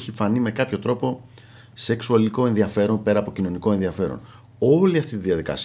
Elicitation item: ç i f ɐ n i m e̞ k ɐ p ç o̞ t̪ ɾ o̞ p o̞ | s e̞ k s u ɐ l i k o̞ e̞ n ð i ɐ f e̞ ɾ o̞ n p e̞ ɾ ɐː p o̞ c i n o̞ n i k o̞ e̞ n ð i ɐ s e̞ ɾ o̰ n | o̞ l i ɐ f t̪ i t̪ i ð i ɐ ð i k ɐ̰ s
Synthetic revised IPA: ç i f ɐ n i m e̞ k ɐ p ç o̞ t̪ ɾ o̞ p o̞ | s e̞ k s u ɐ l i k o̞ e̞ n ð i ɐ f e̞ ɾ o̞ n p e̞ ɾ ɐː p o̞ c i n o̞ n i k o̞ e̞ n ð i ɐ f e̞ ɾ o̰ n | o̞ l i ɐ f t̪ i t̪ i ð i ɐ ð i k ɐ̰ s